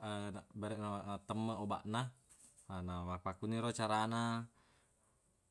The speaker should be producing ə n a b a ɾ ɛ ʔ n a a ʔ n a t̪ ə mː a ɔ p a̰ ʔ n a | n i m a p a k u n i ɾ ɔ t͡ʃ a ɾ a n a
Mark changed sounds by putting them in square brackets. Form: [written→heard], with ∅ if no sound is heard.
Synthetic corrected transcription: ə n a b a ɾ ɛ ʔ n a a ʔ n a t̪ ə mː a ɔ [p→b] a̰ ʔ n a | n [i→a] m a p a k u n i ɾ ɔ t͡ʃ a ɾ a n a